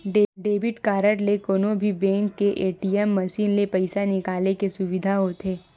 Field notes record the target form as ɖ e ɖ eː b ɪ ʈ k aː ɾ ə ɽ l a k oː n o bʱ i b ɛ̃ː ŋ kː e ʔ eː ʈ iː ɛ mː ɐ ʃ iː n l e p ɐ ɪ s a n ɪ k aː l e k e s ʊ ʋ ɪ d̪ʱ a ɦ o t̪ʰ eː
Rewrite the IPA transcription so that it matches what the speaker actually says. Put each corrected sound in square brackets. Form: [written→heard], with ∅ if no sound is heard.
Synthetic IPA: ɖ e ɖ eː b ɪ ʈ k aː ɾ ə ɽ l [a→e] k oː n o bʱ i b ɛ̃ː ŋ kː e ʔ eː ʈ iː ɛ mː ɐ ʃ iː n l e p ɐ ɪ s a n ɪ k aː l e k e s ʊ ʋ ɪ d̪ʱ a ɦ o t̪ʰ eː